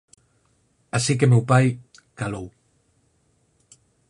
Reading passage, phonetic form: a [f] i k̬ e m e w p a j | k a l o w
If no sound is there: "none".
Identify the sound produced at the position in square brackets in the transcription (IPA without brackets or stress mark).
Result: s